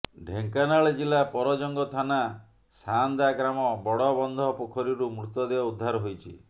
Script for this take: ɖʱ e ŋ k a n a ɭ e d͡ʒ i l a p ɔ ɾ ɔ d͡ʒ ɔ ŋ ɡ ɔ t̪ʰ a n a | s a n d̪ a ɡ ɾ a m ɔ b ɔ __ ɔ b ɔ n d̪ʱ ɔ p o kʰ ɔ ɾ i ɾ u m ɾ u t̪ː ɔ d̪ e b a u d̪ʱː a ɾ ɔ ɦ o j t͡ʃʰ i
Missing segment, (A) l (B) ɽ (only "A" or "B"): B